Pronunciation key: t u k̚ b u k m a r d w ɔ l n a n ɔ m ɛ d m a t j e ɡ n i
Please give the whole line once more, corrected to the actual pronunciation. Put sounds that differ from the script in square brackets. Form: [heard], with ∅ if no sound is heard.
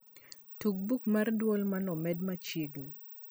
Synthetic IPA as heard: t u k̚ b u k m a r d w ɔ l [m] a n ɔ m ɛ d m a [t͡ʃ] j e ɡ n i